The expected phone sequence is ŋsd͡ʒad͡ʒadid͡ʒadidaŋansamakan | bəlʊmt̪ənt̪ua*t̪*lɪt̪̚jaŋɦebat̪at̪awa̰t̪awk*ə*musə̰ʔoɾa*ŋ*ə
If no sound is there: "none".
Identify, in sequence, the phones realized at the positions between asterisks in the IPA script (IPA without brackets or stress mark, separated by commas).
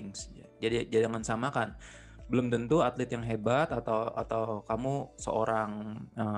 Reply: t̪, a, ŋ